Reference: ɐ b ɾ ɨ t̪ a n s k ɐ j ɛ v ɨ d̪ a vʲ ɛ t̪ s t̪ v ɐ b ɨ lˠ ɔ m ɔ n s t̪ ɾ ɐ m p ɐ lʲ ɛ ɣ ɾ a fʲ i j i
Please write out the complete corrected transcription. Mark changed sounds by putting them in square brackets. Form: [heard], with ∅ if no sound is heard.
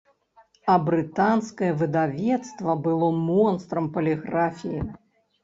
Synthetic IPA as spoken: ɐ b ɾ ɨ t̪ a n s k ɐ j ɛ v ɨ d̪ a vʲ ɛ t̪ s t̪ v ɐ b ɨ lˠ ɔ m ɔ n s t̪ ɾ ɐ m p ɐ lʲ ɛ ɣ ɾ a fʲ i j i